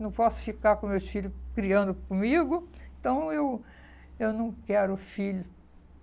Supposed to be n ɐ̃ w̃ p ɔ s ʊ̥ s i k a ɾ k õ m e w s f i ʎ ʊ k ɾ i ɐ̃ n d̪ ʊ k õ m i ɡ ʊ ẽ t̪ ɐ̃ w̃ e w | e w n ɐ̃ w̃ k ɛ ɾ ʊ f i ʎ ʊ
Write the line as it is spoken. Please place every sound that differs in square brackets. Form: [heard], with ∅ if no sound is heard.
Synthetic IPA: n ɐ̃ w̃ p ɔ s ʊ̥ [f] i k a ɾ k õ m e w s f i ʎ ʊ k ɾ i ɐ̃ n d̪ ʊ k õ m i ɡ ʊ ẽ t̪ ɐ̃ w̃ e w | e w n ɐ̃ w̃ k ɛ ɾ ʊ f i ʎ ʊ